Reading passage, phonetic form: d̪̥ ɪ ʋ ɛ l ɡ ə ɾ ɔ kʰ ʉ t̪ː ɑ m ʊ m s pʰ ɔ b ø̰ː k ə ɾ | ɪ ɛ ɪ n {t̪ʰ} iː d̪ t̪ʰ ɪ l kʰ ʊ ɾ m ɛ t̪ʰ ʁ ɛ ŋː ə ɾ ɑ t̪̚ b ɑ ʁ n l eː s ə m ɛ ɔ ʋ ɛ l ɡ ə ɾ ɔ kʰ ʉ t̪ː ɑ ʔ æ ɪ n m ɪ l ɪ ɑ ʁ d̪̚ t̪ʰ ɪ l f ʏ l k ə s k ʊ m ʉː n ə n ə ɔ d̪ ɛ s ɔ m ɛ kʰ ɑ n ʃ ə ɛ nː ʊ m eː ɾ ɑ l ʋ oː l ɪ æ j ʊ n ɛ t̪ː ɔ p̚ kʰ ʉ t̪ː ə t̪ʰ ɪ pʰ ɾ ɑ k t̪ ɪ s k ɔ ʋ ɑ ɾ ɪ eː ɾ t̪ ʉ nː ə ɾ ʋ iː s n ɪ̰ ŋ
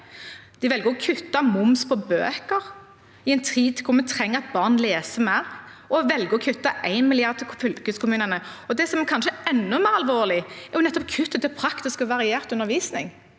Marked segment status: correct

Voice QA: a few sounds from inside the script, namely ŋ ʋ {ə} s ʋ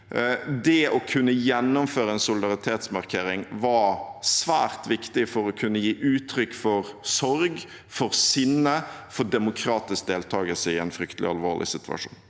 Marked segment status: incorrect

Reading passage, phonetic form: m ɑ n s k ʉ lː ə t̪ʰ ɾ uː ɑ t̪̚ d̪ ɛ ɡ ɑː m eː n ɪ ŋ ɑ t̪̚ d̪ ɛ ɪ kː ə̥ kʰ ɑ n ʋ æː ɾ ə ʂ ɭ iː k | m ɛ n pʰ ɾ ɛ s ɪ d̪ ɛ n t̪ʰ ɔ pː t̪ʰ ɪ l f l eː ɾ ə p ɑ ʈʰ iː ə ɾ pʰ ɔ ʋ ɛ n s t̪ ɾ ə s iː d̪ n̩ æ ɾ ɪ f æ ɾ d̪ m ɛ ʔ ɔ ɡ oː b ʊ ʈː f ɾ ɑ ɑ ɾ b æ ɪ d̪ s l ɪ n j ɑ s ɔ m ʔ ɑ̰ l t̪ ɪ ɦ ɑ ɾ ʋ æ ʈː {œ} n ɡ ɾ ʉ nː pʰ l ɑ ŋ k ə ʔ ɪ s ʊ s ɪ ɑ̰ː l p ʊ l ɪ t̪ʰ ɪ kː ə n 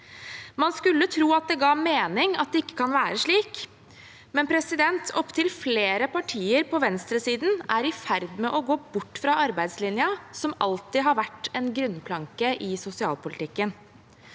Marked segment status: incorrect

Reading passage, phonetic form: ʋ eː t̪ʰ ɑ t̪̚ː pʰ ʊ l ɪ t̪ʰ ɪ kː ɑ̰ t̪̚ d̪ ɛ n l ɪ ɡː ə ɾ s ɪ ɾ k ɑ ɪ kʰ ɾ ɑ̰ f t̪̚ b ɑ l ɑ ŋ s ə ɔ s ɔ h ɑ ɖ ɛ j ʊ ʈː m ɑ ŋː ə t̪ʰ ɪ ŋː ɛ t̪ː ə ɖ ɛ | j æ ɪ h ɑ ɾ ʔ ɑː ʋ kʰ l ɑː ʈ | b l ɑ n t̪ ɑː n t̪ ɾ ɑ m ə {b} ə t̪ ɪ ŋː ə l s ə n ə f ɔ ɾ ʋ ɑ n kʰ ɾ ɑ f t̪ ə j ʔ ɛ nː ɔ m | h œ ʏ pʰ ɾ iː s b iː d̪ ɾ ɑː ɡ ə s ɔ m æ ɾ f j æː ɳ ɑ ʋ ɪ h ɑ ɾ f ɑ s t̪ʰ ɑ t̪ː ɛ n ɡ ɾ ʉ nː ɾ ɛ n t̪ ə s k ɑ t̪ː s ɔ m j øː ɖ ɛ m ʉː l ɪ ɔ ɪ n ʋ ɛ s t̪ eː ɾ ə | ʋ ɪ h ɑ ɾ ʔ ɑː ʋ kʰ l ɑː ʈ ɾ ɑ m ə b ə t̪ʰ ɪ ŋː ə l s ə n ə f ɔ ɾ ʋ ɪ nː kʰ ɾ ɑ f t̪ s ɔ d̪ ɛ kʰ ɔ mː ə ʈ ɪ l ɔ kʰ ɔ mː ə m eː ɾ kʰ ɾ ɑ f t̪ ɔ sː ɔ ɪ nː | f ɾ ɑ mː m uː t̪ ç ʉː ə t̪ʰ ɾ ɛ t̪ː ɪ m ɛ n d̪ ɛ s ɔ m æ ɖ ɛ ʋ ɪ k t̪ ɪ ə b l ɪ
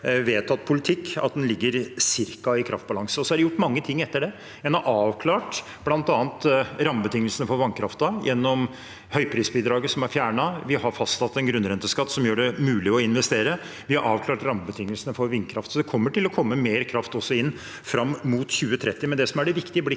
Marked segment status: correct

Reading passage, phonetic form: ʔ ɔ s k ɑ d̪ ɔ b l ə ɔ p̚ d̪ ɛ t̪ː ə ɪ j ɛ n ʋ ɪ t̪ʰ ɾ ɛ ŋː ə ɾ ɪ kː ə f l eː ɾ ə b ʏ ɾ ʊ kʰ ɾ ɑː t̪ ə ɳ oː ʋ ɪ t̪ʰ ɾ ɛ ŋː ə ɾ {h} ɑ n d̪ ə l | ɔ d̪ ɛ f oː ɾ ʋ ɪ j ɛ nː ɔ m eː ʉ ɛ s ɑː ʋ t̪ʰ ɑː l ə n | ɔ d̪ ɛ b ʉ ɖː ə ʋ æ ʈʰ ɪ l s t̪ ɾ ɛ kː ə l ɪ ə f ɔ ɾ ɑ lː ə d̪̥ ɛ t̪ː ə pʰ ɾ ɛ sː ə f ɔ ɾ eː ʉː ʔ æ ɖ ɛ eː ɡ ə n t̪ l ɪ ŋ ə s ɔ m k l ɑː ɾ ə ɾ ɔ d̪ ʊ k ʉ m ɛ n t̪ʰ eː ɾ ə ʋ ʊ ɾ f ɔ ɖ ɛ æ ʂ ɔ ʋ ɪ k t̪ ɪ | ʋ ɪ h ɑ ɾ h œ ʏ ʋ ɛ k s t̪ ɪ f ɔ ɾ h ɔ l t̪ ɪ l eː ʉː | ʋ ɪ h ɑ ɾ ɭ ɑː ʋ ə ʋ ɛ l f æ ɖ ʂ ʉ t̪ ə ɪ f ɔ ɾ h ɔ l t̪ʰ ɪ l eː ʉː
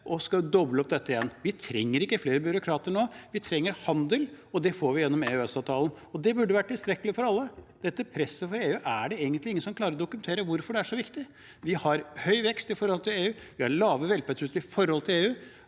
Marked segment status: correct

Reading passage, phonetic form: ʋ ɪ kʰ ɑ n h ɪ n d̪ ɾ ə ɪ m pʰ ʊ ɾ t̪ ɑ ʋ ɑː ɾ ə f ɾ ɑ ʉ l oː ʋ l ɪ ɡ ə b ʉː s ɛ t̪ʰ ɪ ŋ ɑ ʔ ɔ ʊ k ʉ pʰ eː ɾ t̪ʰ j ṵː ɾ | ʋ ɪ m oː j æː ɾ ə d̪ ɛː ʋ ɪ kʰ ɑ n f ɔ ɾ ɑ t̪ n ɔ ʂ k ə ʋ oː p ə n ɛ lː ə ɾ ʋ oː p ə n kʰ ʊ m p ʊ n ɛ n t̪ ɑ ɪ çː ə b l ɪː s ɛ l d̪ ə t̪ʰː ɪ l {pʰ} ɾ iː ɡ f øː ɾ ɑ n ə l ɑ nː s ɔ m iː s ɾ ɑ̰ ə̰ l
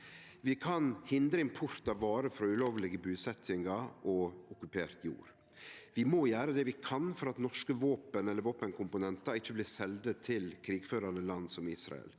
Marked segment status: incorrect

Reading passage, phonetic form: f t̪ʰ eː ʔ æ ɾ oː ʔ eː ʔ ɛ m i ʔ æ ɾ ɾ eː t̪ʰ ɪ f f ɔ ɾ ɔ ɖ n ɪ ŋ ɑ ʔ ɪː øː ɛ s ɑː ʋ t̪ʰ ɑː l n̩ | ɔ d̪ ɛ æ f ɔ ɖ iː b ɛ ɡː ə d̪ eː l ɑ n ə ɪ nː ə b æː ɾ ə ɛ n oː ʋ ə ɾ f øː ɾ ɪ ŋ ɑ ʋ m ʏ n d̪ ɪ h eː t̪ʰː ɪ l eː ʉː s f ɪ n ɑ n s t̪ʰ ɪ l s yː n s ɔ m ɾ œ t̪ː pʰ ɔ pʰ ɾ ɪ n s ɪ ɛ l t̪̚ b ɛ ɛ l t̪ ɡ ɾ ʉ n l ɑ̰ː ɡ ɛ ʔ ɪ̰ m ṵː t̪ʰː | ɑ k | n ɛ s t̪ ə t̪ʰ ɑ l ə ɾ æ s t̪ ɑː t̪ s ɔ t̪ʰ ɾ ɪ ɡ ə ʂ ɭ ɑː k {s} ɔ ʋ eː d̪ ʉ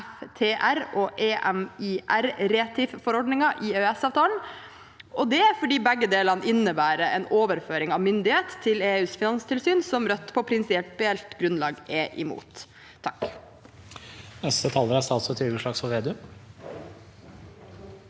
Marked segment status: correct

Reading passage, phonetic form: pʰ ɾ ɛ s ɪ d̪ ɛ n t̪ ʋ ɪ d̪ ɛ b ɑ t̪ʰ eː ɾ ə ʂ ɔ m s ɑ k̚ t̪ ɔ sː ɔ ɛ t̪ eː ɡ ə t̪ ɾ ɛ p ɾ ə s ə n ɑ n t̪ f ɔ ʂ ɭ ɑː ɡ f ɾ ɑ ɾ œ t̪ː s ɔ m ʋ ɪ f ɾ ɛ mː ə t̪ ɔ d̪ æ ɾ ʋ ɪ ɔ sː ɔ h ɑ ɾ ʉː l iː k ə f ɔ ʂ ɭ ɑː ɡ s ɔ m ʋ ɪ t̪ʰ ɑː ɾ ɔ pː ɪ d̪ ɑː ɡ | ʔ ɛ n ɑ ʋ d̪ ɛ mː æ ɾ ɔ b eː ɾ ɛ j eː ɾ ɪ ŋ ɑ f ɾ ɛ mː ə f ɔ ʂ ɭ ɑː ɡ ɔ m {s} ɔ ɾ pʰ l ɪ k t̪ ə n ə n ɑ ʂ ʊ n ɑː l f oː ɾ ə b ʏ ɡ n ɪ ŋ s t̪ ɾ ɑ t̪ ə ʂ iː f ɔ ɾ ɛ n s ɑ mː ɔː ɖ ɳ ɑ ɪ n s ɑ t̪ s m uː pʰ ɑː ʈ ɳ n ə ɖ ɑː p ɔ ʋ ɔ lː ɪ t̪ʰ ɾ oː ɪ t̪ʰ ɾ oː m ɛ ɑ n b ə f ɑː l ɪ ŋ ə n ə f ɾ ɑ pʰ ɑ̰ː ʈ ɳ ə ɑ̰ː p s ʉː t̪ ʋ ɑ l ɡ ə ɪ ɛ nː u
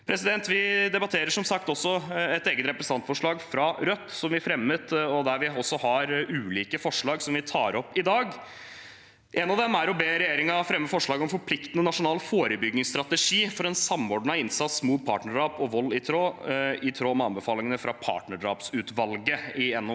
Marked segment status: incorrect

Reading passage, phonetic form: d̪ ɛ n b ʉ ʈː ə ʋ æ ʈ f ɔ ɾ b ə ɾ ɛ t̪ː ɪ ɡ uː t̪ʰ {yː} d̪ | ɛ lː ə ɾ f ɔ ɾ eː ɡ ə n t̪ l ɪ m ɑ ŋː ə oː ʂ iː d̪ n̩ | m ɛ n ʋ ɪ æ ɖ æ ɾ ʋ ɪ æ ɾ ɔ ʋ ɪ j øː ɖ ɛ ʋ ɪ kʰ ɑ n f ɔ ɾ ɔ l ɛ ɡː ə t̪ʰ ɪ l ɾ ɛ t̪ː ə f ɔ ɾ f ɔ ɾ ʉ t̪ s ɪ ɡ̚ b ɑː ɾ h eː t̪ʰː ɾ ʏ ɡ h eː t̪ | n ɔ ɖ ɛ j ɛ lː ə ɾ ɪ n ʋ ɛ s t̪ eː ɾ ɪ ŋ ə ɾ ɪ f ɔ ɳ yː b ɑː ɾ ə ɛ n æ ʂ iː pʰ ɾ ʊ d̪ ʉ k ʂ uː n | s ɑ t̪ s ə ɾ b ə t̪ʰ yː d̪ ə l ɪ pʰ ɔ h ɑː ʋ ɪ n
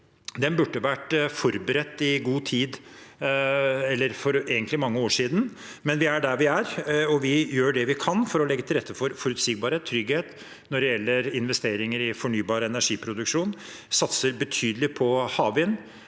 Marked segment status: incorrect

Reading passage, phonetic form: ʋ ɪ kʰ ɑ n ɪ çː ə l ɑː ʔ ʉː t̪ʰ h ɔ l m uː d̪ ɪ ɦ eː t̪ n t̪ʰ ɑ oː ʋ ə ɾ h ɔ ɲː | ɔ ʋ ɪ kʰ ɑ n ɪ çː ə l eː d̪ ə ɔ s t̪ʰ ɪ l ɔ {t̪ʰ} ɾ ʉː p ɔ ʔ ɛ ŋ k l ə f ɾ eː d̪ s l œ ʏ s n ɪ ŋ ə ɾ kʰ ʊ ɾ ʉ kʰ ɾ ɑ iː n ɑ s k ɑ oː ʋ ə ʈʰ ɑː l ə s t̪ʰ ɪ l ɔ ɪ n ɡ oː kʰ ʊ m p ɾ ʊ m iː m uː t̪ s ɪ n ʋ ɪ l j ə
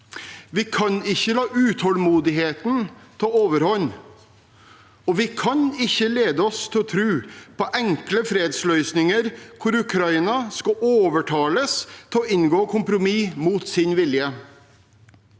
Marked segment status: correct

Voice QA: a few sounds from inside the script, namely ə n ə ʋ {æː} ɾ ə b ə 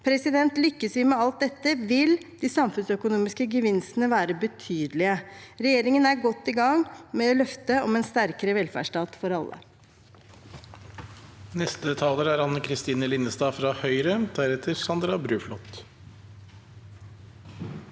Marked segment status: correct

